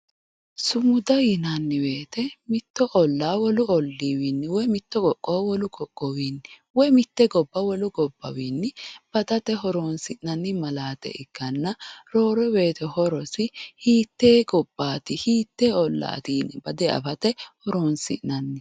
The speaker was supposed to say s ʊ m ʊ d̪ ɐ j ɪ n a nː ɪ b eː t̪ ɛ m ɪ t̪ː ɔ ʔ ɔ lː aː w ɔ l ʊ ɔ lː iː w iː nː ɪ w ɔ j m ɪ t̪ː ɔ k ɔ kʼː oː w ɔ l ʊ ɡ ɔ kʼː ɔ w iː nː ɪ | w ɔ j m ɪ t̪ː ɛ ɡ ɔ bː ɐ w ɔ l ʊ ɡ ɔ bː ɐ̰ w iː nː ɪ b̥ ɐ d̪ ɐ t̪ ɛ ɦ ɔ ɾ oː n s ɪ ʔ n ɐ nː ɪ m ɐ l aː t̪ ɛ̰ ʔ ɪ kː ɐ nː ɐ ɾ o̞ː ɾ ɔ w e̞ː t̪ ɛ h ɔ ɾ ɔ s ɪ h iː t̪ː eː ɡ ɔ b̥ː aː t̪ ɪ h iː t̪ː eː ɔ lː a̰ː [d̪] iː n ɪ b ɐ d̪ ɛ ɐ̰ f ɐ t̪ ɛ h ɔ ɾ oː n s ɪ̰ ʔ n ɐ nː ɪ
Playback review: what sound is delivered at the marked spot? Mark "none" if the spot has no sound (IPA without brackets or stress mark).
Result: t̪